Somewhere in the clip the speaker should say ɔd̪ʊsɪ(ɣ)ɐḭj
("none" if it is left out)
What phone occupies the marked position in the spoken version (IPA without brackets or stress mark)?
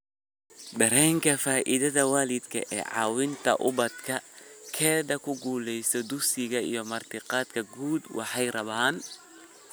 ɣ